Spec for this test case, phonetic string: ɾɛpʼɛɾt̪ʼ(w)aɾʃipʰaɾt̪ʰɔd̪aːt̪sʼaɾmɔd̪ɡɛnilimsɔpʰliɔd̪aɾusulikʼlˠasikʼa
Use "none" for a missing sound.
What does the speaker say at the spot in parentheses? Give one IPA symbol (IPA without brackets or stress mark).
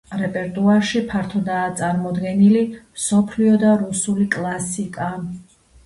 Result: u